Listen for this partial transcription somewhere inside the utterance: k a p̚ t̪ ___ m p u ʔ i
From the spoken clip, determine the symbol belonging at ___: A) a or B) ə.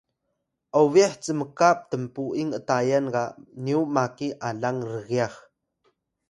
B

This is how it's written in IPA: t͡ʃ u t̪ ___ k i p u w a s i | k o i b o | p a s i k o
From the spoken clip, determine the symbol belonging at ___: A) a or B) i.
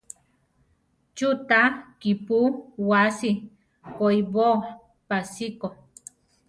A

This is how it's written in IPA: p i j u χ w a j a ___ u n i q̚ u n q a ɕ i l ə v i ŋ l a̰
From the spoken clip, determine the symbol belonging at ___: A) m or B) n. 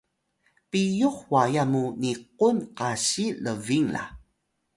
A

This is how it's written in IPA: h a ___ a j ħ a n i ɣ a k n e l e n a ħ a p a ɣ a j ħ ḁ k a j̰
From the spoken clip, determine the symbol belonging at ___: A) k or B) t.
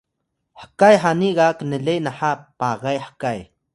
A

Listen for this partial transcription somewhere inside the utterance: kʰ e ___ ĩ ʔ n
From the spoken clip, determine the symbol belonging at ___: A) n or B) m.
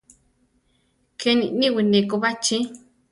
A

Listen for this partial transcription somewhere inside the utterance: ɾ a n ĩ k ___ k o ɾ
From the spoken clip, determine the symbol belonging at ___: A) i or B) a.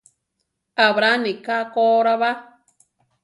B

